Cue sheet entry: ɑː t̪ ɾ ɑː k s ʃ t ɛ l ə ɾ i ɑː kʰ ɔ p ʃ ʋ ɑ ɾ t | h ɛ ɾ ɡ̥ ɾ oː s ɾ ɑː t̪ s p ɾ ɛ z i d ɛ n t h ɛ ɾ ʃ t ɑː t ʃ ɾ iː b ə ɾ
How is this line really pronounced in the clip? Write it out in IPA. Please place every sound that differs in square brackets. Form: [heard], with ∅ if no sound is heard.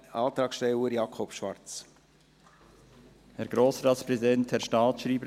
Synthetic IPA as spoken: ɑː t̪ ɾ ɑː k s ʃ t ɛ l ə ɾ [j] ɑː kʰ ɔ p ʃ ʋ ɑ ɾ [t͡s] | h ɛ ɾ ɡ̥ ɾ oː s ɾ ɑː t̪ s p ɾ ɛ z i d ɛ n t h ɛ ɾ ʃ t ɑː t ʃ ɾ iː b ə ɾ